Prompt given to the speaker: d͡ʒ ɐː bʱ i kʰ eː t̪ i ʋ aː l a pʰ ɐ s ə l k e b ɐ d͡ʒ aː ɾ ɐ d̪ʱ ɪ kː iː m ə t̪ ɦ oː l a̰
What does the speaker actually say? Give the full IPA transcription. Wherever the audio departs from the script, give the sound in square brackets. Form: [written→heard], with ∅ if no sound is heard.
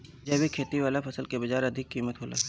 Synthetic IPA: d͡ʒ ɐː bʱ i kʰ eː t̪ i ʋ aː l a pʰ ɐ s ə l k e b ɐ d͡ʒ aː ɾ ɐ d̪ʱ ɪ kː iː m ə t̪ ɦ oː l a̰